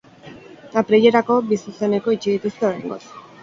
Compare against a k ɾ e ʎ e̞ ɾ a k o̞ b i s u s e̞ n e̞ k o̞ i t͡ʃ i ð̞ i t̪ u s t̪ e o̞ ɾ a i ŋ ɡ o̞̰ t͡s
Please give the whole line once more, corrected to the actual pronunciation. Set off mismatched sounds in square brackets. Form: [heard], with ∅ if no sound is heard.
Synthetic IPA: a [p] ɾ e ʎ e̞ ɾ a k o̞ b i s u s e̞ n e̞ k o̞ i t͡ʃ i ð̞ i t̪ u s t̪ e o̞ ɾ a [j] ŋ ɡ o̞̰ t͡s